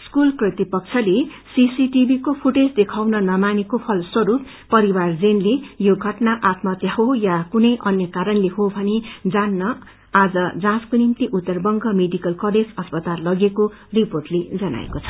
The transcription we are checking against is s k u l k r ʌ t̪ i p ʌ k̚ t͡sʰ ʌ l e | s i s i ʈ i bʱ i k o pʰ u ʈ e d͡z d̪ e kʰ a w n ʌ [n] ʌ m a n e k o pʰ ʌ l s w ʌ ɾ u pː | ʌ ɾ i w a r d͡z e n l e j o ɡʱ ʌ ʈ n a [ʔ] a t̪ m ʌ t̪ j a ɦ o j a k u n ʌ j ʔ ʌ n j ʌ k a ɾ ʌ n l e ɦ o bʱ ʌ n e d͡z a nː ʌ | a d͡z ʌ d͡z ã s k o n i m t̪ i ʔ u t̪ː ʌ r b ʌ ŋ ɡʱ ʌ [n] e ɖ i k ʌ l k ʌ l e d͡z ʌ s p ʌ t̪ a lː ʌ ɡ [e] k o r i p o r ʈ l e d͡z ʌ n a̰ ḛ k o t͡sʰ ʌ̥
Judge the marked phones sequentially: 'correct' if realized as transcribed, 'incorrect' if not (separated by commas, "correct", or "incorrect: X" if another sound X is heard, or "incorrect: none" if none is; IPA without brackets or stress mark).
correct, correct, incorrect: m, correct